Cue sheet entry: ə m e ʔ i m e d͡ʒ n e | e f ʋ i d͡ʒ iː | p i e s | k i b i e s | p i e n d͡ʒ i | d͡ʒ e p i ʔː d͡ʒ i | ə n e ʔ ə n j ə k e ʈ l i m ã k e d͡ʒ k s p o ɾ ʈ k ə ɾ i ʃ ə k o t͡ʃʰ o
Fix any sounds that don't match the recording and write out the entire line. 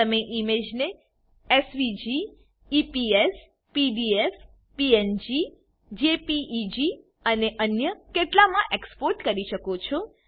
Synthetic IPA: ə m e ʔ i m e d͡ʒ n e | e s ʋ i d͡ʒ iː | p i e s | p i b i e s | p i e n d͡ʒ i | d͡ʒ e p i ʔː d͡ʒ i | ə n e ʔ ə n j ə k e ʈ l a m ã ʔ e k s p o ɾ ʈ k ə ɾ i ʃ ə k o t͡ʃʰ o